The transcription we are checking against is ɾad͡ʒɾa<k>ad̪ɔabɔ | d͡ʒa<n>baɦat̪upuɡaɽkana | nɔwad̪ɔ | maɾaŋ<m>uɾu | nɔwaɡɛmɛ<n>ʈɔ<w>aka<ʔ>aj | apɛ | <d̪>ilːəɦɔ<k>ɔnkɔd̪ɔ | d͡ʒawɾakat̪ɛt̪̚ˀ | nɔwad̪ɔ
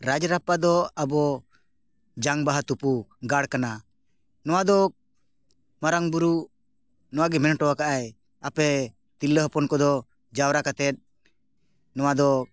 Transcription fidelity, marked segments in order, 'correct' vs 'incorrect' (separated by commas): incorrect, incorrect, incorrect, correct, correct, correct, incorrect, incorrect